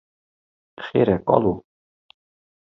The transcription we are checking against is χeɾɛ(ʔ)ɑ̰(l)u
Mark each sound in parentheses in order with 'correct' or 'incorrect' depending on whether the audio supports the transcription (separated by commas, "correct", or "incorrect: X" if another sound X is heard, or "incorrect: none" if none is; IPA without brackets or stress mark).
incorrect: k, correct